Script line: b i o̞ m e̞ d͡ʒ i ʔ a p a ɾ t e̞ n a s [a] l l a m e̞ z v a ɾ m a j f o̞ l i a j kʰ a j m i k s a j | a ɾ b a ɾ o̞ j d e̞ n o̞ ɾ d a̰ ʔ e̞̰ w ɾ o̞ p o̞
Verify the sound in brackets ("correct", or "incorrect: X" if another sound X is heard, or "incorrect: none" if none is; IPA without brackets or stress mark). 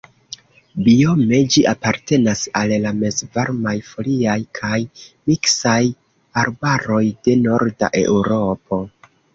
correct